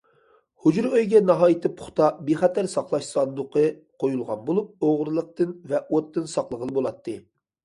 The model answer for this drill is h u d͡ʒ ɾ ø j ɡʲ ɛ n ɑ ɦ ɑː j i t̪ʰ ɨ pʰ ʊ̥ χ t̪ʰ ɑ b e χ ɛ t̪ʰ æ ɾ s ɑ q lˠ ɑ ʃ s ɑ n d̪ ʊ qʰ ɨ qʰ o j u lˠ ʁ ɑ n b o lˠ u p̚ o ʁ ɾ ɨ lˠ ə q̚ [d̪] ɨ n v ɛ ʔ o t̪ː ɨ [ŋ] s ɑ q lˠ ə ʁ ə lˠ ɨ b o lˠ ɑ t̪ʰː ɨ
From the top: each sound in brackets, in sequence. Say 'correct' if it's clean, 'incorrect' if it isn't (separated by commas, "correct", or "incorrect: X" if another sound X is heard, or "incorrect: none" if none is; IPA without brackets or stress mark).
incorrect: t̪, incorrect: n